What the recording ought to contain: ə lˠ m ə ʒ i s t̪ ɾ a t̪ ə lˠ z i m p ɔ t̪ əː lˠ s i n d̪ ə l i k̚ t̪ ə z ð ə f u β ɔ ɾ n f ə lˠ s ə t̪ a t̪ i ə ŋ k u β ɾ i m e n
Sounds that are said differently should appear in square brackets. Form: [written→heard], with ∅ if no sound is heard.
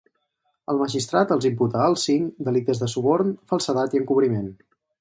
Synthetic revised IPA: ə lˠ m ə ʒ i s t̪ ɾ a t̪ ə lˠ z i m p [ɔ→u] t̪ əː lˠ s i [n→ŋ] d̪ ə l i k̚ t̪ ə z ð ə [f→s] u β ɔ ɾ n f ə lˠ s ə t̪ a t̪ i ə ŋ k u β ɾ i m e n